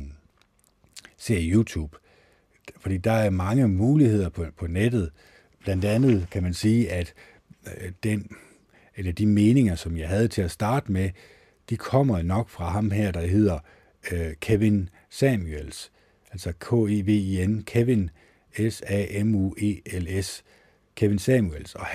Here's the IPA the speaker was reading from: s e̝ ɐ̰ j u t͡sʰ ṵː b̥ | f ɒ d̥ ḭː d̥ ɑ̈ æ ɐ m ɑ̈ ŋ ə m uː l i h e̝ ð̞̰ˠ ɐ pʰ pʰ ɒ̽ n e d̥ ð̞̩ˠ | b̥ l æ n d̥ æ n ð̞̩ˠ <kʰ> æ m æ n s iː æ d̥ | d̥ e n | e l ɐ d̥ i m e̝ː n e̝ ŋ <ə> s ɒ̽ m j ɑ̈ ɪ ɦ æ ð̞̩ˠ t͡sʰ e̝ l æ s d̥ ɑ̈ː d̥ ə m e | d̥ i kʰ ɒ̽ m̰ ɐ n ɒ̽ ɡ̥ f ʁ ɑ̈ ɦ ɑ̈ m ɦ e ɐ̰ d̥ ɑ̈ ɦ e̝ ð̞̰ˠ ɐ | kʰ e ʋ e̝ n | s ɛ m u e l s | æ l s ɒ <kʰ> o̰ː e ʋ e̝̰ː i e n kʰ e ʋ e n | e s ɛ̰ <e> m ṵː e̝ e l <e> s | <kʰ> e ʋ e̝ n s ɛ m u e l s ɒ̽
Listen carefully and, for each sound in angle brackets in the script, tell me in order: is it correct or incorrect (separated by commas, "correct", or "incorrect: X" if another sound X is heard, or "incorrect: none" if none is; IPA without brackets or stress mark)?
correct, incorrect: ɐ, correct, correct, correct, correct